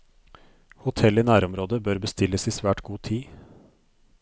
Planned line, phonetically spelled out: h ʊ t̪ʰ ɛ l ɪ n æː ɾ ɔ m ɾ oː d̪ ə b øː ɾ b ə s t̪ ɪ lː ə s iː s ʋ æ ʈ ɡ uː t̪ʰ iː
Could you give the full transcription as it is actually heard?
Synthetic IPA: h ʊ t̪ʰ ɛ l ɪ n æː ɾ ɔ m ɾ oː d̪ ə b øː ɾ b ə s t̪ ɪ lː ə s iː s ʋ æː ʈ ɡ uː t̪ʰ iː